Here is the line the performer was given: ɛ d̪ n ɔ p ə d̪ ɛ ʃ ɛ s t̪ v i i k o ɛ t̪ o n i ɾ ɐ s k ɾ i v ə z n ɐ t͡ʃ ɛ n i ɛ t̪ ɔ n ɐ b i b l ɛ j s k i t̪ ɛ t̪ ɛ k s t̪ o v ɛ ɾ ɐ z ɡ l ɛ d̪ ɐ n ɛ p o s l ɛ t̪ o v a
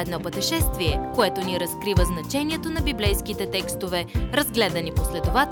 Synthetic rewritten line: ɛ d̪ n ɔ p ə t̪ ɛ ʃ ɛ s t̪ v i ɛ k o ɛ t̪ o n i ɾ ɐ s k ɾ i v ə z n ɐ t͡ʃ ɛ n i ɛ t̪ o n ɐ b i b l ɛ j s k i t̪ ɛ t̪ ɛ k s t̪ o v ɛ ɾ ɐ z ɡ l ɛ d̪ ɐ n i p o s l ɛ t̪ o v a